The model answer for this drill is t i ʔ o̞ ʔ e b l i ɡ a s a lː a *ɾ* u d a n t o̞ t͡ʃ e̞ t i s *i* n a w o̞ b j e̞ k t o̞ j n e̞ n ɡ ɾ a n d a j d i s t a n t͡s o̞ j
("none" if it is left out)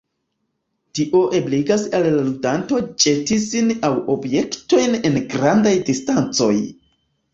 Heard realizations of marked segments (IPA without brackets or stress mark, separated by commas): l, i